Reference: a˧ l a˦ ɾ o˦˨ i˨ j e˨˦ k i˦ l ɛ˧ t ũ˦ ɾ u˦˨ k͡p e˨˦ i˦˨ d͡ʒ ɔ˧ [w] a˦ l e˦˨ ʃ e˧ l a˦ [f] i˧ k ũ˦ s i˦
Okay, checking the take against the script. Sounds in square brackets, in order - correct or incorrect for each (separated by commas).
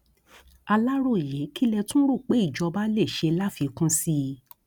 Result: incorrect, correct